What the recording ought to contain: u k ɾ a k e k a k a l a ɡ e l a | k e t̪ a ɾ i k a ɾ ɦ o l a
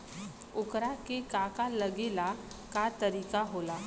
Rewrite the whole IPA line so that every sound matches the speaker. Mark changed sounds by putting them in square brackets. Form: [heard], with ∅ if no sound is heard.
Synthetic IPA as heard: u k ɾ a k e k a k a l [ə] ɡ e l a | k [a] t̪ [ə] ɾ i k a [∅] ɦ o l a

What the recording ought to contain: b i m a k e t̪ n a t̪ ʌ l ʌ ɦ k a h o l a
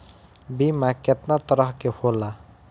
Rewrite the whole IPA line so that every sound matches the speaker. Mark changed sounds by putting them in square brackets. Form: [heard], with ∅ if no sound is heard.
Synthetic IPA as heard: b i m a k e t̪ n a t̪ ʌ [ɾ] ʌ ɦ k [e] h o l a

